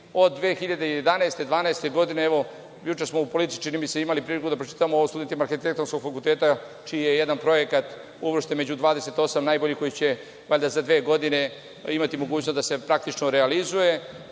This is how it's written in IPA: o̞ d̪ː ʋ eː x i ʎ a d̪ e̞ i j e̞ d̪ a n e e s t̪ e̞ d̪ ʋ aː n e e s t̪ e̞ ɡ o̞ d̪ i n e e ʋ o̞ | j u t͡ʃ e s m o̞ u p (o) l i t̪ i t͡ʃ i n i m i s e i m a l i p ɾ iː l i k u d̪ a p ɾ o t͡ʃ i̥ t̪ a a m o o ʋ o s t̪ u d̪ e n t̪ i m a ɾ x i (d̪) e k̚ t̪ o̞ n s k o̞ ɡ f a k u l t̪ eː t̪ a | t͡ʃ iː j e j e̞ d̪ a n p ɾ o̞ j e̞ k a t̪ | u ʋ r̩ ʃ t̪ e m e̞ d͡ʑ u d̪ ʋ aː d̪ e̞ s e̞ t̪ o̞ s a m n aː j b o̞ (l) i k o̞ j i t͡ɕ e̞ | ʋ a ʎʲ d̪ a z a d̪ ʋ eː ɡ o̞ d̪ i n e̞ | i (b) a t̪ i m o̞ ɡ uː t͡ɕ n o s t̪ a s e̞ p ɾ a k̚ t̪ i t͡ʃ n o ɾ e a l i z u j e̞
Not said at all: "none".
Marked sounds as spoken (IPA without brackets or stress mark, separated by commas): o, t̪, ʎ, m